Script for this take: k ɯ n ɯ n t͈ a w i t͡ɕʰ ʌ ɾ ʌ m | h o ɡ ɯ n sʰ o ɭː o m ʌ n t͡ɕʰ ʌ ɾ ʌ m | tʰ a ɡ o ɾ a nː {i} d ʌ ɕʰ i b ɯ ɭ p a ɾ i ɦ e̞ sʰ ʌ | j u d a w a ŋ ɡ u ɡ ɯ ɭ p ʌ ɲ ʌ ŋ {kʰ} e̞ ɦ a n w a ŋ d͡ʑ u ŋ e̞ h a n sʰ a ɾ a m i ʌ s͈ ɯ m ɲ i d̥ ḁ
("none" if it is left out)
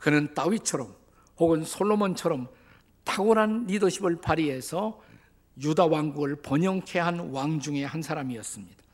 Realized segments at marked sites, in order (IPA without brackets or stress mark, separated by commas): i, kʰ